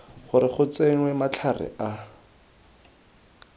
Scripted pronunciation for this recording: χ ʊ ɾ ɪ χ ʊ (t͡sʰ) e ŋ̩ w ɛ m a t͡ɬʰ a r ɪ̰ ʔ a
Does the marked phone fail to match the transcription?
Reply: yes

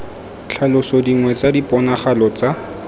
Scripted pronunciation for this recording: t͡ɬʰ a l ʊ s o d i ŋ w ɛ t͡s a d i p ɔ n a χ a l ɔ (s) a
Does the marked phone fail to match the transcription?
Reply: yes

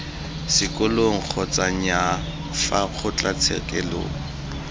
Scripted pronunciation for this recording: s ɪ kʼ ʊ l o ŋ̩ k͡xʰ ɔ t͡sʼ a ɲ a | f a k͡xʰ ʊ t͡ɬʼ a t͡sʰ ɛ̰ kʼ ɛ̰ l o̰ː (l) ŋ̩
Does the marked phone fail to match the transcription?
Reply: yes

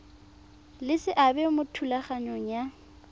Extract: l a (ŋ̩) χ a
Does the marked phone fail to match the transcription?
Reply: yes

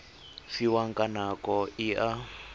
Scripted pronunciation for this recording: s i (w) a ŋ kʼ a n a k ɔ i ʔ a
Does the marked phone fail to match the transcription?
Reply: no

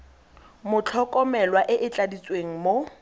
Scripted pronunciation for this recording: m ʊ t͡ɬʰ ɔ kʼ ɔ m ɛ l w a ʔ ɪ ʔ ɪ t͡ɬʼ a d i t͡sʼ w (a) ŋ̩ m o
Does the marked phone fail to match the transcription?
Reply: yes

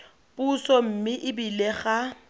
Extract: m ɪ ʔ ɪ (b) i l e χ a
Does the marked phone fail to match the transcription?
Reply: no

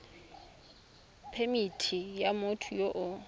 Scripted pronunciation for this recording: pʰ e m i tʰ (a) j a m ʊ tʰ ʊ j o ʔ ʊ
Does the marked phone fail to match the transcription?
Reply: yes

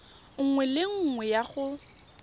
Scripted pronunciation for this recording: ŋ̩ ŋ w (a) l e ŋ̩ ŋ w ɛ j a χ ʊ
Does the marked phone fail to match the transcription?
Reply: yes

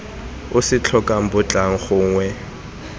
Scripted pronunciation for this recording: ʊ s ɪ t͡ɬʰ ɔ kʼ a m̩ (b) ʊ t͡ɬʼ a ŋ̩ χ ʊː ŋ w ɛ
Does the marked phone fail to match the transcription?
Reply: no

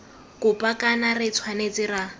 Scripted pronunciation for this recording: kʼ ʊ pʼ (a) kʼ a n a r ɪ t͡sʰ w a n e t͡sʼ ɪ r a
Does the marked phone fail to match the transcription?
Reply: no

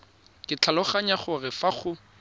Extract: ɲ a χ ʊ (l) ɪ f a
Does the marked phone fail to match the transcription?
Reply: yes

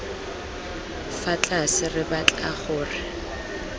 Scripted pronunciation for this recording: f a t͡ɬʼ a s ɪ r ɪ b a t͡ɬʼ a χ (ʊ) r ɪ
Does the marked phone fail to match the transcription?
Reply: yes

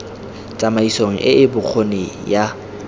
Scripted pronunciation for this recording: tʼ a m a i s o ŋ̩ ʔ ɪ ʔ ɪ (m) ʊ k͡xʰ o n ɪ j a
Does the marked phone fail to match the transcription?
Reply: yes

